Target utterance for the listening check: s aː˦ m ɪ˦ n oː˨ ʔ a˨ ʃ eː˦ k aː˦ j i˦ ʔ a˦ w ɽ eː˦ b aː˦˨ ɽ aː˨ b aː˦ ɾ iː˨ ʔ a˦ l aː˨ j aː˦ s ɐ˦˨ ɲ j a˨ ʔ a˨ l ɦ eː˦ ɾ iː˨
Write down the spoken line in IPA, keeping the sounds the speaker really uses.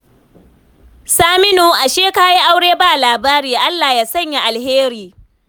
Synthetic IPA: s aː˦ m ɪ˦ n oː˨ ʔ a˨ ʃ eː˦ k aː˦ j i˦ ʔ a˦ w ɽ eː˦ b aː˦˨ l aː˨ b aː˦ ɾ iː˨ ʔ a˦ lː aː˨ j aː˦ s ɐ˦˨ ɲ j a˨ ʔ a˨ l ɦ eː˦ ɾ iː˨